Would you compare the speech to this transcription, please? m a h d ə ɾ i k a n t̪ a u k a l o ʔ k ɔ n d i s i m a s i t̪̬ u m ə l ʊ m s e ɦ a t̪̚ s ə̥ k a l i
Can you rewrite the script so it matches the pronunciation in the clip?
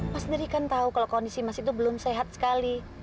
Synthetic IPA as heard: m a s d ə ɾ i k a n t̪ a u k a l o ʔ k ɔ n d i s i m a s i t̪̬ u b ə l ʊ m s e ɦ a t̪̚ s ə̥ k a l i